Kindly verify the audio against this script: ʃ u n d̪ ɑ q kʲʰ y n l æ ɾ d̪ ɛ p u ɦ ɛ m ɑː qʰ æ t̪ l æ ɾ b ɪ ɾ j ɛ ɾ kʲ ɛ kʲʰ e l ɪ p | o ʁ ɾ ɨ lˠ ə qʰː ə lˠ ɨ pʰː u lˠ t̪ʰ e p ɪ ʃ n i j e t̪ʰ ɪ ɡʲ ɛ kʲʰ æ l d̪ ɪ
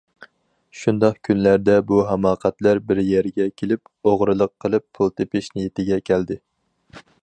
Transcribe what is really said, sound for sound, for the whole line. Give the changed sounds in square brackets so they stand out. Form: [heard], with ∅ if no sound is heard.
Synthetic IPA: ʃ u n d̪ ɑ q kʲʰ y n l æ ɾ d̪ ɛ [b] u ɦ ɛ m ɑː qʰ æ t̪ l æ ɾ b ɪ ɾ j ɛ ɾ [ɡʲ] ɛ kʲʰ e l ɪ p | o ʁ ɾ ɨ lˠ ə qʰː ə lˠ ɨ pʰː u lˠ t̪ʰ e p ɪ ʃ n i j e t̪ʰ ɪ ɡʲ ɛ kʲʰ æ l d̪ ɪ